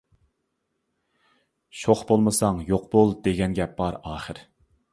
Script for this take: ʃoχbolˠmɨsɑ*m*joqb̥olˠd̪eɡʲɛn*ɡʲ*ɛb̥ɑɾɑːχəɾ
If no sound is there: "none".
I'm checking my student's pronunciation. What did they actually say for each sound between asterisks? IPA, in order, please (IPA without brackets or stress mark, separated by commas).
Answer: ŋ, ɡʲ